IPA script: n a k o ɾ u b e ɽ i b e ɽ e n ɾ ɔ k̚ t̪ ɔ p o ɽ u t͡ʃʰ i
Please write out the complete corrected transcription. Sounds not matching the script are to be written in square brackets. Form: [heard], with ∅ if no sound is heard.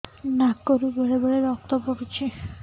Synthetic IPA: n a k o ɾ u b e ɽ [e] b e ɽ e [∅] ɾ ɔ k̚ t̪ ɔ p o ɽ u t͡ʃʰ i

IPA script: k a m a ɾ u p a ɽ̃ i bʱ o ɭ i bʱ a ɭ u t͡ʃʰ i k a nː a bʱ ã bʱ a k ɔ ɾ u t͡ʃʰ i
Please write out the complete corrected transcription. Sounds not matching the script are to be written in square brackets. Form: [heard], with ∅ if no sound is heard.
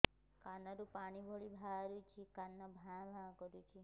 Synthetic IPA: k a [n] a ɾ u p a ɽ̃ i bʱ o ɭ i bʱ a [ɾ] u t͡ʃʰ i k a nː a bʱ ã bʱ a k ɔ ɾ u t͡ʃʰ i

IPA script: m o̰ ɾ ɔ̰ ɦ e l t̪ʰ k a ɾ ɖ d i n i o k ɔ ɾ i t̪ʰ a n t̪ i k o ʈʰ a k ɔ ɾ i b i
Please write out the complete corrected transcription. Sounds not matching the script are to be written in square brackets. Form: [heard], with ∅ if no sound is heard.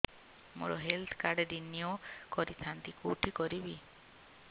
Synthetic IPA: m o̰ ɾ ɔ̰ ɦ e l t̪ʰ k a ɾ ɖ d i n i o k ɔ ɾ i t̪ʰ a n t̪ i k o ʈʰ [i] k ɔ ɾ i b i

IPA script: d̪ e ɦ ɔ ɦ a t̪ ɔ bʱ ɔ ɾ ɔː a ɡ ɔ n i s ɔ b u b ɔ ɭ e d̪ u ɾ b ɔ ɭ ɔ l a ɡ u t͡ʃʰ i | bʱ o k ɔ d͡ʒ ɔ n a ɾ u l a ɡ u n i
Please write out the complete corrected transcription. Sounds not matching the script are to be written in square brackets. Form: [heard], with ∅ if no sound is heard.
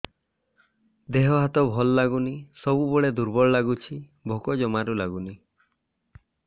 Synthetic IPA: d̪ e ɦ ɔ ɦ a t̪ ɔ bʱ ɔ [l] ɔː a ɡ [u] n i s ɔ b u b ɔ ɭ e d̪ u ɾ b ɔ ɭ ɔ l a ɡ u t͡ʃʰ i | bʱ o k ɔ d͡ʒ ɔ [m] a ɾ u l a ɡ u n i

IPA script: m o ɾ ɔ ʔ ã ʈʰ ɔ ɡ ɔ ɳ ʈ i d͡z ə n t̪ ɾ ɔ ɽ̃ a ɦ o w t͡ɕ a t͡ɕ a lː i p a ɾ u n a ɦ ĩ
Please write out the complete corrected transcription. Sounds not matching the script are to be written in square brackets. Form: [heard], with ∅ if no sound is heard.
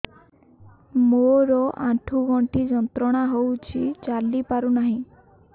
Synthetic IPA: m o ɾ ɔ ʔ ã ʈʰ [u] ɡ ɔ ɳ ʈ i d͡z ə n t̪ ɾ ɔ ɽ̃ a ɦ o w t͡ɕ [i] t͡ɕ a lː i p a ɾ u n a ɦ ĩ

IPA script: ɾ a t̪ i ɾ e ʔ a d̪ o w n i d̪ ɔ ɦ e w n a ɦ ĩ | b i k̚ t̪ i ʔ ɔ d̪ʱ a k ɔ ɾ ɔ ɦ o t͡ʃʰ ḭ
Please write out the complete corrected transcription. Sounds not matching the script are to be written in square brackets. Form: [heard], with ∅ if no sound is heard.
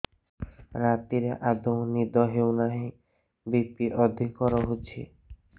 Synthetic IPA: ɾ a t̪ i ɾ e ʔ a d̪ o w n i d̪ ɔ ɦ e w n a ɦ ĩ | b i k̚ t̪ i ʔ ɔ d̪ʱ [i] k ɔ ɾ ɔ ɦ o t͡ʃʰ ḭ

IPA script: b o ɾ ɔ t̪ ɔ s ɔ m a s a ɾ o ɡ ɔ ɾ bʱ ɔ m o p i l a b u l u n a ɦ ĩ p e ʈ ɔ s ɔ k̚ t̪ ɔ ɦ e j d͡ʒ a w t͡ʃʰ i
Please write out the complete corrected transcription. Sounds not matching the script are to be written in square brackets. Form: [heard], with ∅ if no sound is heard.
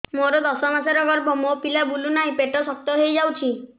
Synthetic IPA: [m] o ɾ ɔ [d̪] ɔ s ɔ m a s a ɾ [ɔ] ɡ ɔ ɾ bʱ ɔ m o p i l a b u l u n a ɦ ĩ p e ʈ ɔ s ɔ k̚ t̪ ɔ ɦ e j d͡ʒ a w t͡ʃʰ i

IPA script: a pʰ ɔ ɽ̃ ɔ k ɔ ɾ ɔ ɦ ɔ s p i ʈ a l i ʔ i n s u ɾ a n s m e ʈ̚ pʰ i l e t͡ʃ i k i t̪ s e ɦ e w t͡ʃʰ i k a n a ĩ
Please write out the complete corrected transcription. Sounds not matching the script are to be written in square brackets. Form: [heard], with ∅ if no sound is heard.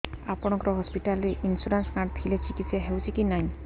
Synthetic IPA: a [p] ɔ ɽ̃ ɔ k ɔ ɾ ɔ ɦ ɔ s p i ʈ a l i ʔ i n s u ɾ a n s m [a] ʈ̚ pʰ i l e t͡ʃ i k i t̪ s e ɦ e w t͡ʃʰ i k [i] n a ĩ

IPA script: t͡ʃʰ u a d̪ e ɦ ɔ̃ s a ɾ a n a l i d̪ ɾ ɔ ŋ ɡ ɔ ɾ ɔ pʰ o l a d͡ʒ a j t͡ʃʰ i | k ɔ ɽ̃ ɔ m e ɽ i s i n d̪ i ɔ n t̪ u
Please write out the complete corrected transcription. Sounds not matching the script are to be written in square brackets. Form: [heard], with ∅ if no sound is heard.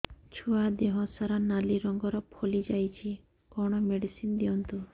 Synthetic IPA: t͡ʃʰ u a d̪ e ɦ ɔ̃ s a ɾ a n a l i [∅] ɾ ɔ ŋ ɡ ɔ ɾ ɔ pʰ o l [i] d͡ʒ a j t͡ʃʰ i | k ɔ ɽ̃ ɔ m e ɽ i s i n d̪ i ɔ n t̪ u

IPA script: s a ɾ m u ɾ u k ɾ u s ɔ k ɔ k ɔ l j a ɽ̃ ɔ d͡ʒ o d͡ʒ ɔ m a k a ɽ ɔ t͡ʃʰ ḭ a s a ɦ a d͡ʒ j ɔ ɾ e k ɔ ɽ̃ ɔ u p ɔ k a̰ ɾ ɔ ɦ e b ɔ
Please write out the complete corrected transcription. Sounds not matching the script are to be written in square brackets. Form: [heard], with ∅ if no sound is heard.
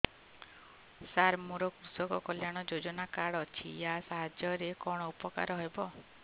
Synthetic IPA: s a ɾ m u ɾ [ɔ] k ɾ u s ɔ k ɔ k ɔ l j a ɽ̃ ɔ d͡ʒ o d͡ʒ ɔ [n] a k a ɽ ɔ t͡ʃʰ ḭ a s a ɦ a d͡ʒ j ɔ ɾ e k ɔ ɽ̃ ɔ u p ɔ k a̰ ɾ ɔ ɦ e b ɔ

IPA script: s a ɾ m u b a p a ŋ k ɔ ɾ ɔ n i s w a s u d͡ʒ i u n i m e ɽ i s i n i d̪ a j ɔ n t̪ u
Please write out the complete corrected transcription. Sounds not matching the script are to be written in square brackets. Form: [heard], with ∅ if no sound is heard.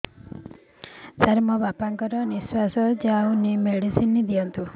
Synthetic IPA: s a ɾ m [ɔ] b a p a ŋ k ɔ ɾ ɔ n i s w a s [ɔ] d͡ʒ [a] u n i m e ɽ i s i n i d̪ [i] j ɔ n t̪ u

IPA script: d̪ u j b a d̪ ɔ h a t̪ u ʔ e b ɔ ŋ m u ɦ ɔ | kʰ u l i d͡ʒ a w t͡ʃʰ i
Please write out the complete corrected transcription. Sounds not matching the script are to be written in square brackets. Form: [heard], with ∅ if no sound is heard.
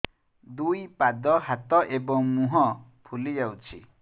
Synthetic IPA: d̪ u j [p] a d̪ ɔ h a t̪ [ɔ] ʔ e b ɔ ŋ m u ɦ ɔ | [pʰ] u l i d͡ʒ a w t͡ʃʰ i

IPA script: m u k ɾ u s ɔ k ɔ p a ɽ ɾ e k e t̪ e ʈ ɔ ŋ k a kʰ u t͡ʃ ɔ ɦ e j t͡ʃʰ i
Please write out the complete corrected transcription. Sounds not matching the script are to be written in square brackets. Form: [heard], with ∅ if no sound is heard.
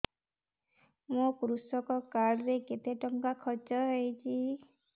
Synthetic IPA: m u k ɾ u s ɔ k ɔ [k] a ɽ ɾ e k e t̪ e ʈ ɔ ŋ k a kʰ [ɔ] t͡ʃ ɔ ɦ e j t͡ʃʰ i

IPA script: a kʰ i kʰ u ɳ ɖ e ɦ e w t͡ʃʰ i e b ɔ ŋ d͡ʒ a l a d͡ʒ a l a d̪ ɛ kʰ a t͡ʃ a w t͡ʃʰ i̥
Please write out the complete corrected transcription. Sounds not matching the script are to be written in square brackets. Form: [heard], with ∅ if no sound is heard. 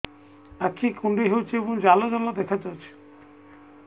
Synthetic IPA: a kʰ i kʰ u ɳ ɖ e ɦ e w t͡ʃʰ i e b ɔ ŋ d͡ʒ a l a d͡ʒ a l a d̪ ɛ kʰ a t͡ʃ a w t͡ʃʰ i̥

